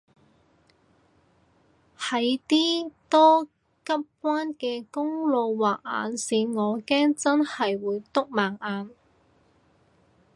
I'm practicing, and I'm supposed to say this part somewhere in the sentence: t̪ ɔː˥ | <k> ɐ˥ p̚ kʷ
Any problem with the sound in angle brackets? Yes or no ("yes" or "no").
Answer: no